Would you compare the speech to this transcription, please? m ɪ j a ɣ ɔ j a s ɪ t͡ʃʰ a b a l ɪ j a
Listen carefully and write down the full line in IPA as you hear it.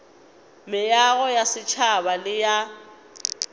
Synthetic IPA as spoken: m ɪ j a ɣ ɔ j a s ɪ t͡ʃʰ a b a l ɪ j a